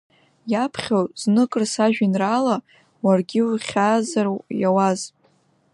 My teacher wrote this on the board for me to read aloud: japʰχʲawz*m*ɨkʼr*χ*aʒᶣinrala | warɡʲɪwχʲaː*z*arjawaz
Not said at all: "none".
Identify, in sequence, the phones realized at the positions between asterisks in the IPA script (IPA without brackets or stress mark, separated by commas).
n, s, z